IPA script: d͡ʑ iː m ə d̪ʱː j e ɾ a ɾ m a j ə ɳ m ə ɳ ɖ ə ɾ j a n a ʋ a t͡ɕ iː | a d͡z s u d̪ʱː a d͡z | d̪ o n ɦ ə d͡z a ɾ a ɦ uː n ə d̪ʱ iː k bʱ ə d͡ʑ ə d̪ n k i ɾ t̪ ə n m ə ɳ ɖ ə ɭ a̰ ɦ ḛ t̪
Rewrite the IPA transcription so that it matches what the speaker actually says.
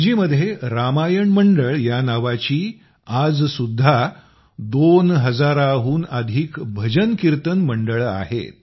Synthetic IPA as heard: d͡ʑ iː m ə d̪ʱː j e ɾ a m a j ə ɳ m ə ɳ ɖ ə ɭ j a n a ʋ a t͡ɕ iː | a d͡z s u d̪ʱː a | d̪ o n ɦ ə d͡z a ɾ a ɦ uː n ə d̪ʱ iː k bʱ ə d͡ʑ ə n k i ɾ t̪ ə n m ə ɳ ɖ ə ɭ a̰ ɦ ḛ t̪